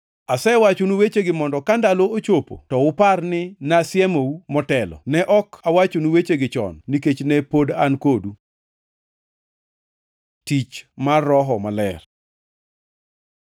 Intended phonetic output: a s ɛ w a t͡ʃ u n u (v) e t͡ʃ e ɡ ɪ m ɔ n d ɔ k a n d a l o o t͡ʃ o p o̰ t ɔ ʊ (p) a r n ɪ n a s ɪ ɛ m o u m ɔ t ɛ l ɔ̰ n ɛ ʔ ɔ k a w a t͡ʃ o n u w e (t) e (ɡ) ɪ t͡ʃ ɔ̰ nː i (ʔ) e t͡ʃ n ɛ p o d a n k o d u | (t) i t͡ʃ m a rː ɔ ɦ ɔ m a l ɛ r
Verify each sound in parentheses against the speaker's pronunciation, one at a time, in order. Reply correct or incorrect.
incorrect, correct, incorrect, correct, incorrect, correct

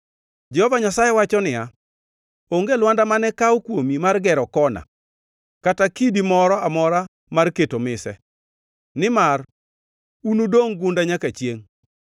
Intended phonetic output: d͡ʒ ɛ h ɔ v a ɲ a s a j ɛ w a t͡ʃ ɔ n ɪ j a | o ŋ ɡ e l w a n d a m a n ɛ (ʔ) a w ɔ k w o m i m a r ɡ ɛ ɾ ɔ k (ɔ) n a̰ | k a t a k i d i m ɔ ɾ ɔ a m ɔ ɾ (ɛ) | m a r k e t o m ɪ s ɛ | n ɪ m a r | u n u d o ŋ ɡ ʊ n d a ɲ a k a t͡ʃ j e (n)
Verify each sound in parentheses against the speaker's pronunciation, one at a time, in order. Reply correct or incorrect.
incorrect, correct, incorrect, incorrect

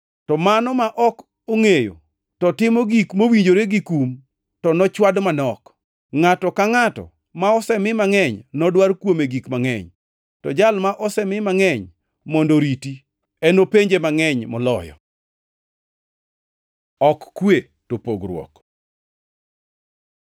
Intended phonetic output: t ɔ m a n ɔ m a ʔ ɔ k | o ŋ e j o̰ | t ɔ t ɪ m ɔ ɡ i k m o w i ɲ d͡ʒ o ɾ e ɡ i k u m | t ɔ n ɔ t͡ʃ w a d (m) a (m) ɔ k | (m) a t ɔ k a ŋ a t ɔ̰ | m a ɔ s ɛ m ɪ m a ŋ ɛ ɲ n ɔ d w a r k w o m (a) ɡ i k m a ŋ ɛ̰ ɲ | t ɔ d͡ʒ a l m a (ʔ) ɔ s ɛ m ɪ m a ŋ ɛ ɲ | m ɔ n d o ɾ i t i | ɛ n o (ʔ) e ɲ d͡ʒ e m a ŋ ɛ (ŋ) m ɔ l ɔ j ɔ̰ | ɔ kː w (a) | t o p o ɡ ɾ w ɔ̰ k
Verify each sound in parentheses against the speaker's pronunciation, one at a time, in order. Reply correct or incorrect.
correct, incorrect, incorrect, incorrect, correct, incorrect, incorrect, incorrect

